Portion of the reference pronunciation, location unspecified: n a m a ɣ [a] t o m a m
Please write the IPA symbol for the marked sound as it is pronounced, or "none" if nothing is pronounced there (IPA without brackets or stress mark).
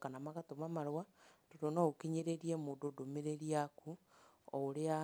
a